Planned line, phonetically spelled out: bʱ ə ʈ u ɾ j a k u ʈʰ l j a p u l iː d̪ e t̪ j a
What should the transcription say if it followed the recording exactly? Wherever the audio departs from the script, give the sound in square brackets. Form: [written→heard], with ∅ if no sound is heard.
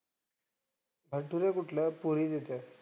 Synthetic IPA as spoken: bʱ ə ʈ u ɾ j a k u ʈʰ l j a p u [l→ɾ] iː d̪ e t̪ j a